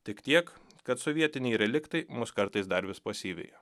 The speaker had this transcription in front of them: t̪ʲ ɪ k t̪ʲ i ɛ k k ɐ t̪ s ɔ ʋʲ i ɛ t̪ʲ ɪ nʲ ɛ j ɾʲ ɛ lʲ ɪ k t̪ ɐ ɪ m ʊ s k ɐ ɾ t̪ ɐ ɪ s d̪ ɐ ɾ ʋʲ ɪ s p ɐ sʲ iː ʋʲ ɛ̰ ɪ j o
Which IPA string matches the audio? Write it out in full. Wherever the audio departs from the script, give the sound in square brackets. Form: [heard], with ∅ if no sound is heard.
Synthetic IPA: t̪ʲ ɪ k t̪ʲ i ɛ k k ɐ t̪ s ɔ ʋʲ i ɛ t̪ʲ ɪ nʲ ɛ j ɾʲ ɛ lʲ ɪ k t̪ ɐ ɪ m ʊ s k ɐ ɾ t̪ ɐ ɪ s d̪ ɐ ɾ ʋʲ ɪ s p ɐ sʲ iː ʋʲ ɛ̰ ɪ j o